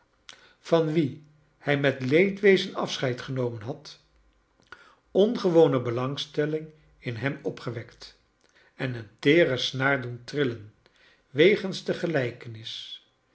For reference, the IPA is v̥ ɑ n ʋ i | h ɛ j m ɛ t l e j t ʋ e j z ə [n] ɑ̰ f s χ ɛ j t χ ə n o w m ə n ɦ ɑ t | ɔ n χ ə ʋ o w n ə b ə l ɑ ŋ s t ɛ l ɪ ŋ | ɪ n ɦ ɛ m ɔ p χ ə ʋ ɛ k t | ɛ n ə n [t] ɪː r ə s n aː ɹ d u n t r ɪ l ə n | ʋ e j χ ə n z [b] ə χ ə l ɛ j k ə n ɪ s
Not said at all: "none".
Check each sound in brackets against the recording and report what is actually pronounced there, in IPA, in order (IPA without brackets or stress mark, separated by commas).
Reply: n, t, d